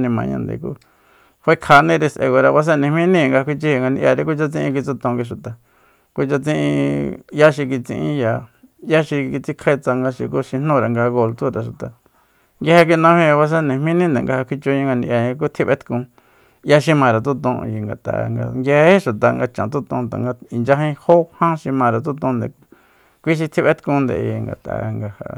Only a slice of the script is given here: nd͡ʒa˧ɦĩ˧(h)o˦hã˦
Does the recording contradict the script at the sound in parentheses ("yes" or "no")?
no